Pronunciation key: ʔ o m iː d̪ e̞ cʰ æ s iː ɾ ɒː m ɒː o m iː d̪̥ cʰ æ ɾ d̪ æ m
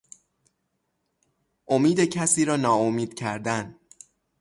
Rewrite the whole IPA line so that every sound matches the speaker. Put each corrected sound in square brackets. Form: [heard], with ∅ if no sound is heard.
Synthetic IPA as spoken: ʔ o m iː d̪ e̞ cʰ æ s iː ɾ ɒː [n] ɒː o m iː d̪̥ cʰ æ ɾ d̪ æ [n]